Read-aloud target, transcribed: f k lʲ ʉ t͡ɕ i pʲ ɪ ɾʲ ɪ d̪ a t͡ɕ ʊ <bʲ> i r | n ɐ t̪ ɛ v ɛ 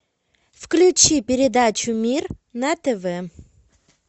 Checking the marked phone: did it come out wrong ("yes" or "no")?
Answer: yes